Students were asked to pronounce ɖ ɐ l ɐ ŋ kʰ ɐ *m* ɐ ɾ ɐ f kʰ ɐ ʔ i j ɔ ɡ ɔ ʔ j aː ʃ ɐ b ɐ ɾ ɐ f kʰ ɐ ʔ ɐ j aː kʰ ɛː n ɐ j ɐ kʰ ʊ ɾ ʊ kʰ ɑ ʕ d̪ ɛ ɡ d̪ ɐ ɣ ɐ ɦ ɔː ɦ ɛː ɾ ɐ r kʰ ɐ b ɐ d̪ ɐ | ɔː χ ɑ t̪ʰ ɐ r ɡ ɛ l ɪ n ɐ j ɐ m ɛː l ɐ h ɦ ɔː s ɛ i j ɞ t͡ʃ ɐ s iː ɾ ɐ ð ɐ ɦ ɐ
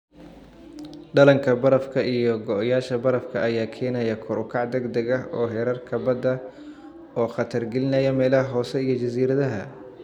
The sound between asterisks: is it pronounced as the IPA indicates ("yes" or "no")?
no